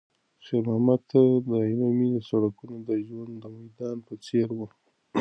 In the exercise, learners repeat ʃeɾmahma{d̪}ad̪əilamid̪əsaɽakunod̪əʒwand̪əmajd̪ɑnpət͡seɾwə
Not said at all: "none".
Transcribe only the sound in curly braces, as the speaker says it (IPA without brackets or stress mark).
t̪